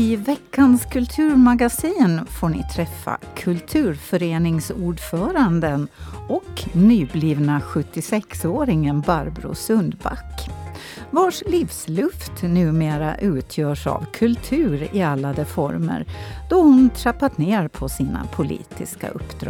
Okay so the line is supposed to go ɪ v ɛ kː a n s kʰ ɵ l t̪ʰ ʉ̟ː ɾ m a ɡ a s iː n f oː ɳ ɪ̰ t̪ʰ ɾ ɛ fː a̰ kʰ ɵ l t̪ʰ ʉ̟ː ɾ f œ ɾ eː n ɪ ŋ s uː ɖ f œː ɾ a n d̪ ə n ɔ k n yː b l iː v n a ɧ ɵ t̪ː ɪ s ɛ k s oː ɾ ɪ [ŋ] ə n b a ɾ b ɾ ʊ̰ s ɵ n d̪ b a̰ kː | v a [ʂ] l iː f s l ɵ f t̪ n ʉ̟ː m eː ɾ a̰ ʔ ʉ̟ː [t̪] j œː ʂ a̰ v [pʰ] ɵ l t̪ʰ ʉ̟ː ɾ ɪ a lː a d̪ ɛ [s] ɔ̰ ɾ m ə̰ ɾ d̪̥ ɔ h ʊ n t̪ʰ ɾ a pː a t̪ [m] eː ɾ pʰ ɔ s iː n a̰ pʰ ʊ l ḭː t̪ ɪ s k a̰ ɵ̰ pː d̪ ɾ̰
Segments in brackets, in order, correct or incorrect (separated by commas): correct, correct, incorrect, incorrect, incorrect, incorrect